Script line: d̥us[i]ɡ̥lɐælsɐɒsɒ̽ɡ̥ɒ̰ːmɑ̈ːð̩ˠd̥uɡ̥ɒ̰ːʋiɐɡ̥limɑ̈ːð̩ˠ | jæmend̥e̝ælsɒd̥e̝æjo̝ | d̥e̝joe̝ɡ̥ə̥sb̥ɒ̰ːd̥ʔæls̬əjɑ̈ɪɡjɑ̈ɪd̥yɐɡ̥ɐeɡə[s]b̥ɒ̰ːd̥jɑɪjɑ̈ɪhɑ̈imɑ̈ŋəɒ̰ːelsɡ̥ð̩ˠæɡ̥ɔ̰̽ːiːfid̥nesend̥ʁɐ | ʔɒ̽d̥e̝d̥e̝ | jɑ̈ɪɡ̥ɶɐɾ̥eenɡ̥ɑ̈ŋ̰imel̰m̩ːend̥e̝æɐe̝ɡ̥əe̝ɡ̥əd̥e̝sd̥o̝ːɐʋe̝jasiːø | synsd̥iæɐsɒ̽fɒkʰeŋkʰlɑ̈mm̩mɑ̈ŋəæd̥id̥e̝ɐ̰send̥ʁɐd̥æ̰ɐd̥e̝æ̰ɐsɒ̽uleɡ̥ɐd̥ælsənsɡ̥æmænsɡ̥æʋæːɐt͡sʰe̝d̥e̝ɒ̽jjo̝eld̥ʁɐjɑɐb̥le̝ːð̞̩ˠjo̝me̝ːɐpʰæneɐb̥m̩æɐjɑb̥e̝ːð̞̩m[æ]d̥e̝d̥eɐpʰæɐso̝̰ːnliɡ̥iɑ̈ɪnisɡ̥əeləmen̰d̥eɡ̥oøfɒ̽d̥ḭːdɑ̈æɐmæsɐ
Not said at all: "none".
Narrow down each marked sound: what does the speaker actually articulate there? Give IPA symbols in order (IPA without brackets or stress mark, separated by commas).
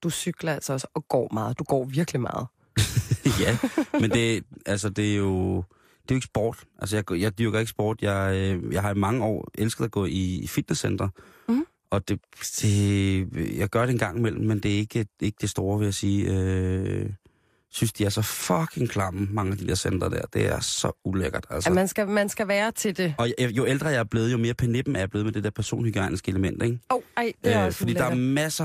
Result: y, s, e